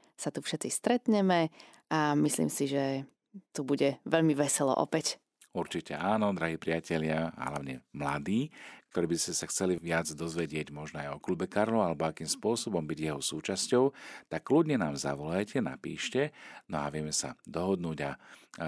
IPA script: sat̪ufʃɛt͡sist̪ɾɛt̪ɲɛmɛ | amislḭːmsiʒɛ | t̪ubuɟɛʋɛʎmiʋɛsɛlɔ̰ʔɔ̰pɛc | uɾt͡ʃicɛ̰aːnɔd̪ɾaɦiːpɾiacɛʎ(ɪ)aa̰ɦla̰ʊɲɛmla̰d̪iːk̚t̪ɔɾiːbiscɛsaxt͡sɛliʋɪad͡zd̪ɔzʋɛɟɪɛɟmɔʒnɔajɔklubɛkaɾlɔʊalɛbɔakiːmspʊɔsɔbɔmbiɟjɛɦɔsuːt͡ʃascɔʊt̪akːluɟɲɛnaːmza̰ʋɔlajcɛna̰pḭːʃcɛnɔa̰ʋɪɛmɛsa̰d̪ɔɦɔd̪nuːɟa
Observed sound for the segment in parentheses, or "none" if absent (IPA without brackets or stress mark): ɪ